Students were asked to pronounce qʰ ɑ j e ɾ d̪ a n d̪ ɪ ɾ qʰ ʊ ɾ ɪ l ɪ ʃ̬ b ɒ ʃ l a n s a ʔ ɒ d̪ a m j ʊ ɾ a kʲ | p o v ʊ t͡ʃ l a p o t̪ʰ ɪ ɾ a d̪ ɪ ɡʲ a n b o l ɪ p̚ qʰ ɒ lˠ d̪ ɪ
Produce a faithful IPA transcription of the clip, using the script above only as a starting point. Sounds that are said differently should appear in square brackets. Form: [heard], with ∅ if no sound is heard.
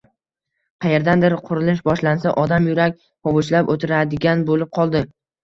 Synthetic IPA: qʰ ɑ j e ɾ d̪ a n d̪ ɪ ɾ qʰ ʊ ɾ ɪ l ɪ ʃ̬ b ɒ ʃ l a n s a ʔ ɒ d̪ a m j ʊ ɾ a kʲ | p [ɒ] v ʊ t͡ʃ l a p o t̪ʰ ɪ ɾ a d̪ ɪ ɡʲ a n b o l ɪ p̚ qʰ ɒ lˠ d̪ ɪ